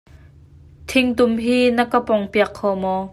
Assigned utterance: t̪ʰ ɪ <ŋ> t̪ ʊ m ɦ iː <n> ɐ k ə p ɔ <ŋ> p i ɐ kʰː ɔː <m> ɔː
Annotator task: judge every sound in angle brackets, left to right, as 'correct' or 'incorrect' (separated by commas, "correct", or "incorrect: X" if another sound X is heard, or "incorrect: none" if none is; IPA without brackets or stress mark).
correct, correct, correct, correct